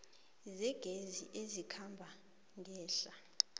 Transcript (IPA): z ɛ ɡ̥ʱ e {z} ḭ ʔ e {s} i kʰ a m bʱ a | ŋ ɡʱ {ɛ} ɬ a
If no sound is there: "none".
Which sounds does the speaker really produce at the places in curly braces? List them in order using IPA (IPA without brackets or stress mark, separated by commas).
z, z, ɛː